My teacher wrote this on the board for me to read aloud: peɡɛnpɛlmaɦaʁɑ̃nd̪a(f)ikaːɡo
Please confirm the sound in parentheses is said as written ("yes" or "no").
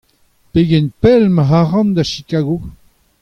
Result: no